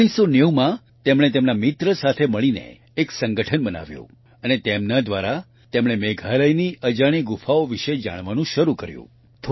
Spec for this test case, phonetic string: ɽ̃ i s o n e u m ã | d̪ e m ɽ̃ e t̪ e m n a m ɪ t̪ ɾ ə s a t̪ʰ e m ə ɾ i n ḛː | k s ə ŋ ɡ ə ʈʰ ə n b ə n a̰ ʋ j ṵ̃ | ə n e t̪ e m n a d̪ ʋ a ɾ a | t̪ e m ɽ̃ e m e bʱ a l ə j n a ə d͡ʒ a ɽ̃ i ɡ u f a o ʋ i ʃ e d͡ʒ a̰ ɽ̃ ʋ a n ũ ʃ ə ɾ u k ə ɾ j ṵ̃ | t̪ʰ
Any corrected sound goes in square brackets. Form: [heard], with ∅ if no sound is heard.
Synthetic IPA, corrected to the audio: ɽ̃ i s o n e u m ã | [t̪] e m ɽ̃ e t̪ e m n a m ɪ t̪ ɾ ə s a t̪ʰ e m ə [ɭ] i n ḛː | k s ə ŋ ɡ ə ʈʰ ə n b ə n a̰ ʋ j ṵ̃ | ə n e t̪ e m n a d̪ ʋ a ɾ a | t̪ e m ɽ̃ e m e [ɡʱ] a l ə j n [i] ə d͡ʒ a ɽ̃ i ɡ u f a o ʋ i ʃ e d͡ʒ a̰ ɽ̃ ʋ a n ũ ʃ ə ɾ u k ə ɾ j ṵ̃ | t̪ʰ